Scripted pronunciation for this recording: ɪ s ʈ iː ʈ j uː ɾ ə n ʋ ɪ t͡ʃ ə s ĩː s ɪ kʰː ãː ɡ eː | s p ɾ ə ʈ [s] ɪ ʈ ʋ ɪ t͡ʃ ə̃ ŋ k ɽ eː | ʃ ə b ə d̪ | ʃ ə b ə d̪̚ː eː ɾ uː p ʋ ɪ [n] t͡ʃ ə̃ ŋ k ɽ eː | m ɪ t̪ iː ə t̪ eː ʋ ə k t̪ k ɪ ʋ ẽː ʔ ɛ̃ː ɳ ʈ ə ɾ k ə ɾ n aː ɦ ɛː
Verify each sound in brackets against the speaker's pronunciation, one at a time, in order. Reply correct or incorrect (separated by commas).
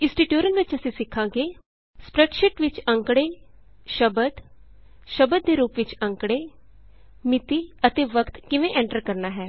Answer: incorrect, incorrect